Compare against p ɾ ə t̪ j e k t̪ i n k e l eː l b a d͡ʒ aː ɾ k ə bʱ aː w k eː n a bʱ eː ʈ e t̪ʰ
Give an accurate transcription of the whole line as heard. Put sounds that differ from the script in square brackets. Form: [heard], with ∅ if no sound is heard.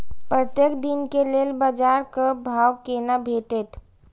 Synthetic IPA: p ɾ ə t̪ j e k [d̪] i n k e l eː l b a d͡ʒ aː ɾ k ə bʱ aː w k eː n a bʱ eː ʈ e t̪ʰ